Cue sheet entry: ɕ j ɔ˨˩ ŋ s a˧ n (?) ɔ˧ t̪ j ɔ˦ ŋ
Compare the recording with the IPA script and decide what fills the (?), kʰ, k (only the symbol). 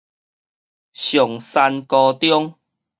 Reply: k